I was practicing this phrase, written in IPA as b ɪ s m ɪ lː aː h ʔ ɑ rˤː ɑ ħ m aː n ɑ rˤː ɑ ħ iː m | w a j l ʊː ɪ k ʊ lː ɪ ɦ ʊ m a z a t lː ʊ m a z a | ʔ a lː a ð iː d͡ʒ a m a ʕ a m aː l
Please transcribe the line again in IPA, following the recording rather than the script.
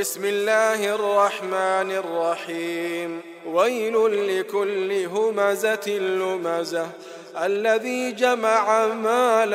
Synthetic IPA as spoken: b ɪ s m ɪ lː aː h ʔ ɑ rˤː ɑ ħ m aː n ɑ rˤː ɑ ħ iː m | w a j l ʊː ɪ k ʊ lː ɪ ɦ ʊ m a z a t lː ʊ m a z a | ʔ a lː a ð iː d͡ʒ a m a ʕ a m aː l